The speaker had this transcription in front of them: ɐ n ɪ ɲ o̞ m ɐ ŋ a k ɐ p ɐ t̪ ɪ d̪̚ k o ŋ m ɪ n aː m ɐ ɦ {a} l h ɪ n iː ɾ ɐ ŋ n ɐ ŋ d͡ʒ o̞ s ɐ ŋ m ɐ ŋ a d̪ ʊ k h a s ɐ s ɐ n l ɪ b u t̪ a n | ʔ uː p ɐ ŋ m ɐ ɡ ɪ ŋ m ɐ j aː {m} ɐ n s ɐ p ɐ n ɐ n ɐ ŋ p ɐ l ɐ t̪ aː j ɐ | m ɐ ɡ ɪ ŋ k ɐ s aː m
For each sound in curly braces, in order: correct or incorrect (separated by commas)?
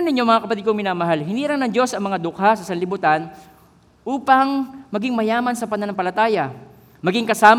correct, correct